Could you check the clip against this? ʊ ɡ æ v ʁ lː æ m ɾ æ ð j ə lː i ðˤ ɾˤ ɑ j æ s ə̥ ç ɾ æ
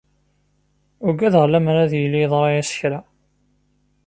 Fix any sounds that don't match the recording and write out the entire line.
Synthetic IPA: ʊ ɡ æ ð ʁ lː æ m ɾ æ ð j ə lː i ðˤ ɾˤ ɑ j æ s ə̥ ç ɾ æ